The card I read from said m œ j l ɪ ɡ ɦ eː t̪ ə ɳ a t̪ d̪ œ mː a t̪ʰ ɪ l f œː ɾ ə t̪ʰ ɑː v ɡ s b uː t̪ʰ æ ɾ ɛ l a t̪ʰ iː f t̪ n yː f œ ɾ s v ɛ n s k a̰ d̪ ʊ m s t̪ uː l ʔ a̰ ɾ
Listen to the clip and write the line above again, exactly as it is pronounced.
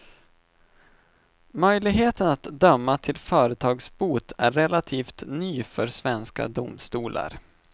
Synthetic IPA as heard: m œ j l ɪ ɡ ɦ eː t̪ ə n a t̪ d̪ œ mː a t̪ʰ ɪ l f œː ɾ ə t̪ʰ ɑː ɡ s b uː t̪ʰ æ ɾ ɛ l a t̪ʰ iː f t̪ n yː f œ ɾ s v ɛ n s k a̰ d̪ ʊ m s t̪ uː l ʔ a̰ ɾ